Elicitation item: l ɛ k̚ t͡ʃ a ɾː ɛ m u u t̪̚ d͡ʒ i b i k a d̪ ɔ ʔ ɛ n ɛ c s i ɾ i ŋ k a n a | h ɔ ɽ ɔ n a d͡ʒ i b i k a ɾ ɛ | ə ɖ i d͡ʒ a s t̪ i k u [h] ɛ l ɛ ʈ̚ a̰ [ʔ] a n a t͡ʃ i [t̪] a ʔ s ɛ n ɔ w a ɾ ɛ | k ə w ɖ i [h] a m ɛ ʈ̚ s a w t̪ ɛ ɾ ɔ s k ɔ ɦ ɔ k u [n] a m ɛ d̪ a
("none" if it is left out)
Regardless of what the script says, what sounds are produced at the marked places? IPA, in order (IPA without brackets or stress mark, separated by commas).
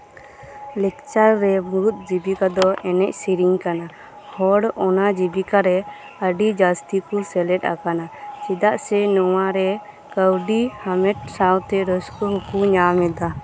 s, k, d̪, h, ɲ